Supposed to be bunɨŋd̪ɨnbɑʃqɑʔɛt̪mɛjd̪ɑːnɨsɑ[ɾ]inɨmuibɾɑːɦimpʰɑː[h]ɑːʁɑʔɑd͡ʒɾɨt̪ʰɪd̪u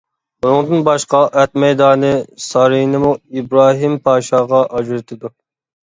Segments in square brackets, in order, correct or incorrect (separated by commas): correct, incorrect